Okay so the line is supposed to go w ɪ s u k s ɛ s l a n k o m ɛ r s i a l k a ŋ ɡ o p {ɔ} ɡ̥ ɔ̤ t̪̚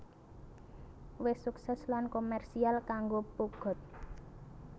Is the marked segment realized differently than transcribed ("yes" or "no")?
yes